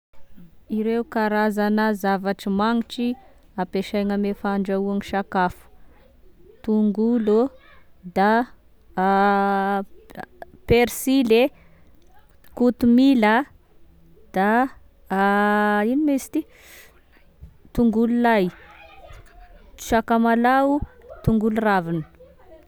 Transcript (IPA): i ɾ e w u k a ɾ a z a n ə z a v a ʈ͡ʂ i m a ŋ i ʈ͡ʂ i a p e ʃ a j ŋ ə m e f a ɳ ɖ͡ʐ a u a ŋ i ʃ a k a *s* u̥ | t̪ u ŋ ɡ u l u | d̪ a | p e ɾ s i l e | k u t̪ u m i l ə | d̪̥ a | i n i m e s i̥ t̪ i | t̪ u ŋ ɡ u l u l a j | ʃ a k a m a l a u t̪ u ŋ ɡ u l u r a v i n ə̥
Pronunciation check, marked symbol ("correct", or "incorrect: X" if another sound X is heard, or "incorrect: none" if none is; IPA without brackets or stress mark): incorrect: f